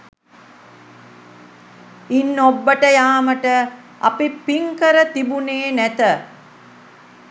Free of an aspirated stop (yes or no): yes